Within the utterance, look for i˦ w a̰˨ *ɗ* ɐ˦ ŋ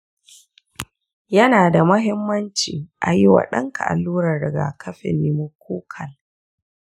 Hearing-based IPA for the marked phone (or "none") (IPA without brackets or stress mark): ɗ